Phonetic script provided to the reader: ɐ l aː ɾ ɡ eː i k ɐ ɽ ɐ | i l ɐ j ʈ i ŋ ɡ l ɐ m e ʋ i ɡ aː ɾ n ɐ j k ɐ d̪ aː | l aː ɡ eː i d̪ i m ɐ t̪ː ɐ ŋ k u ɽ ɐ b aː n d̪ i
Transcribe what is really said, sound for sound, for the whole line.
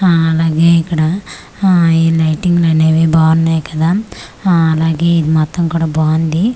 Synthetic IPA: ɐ l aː ɡ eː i k ɐ ɽ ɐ | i l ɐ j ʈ i ŋ ɡ l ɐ n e ʋ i b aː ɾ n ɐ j k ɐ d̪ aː | l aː ɡ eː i d̪ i m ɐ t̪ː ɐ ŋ k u ɽ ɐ b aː n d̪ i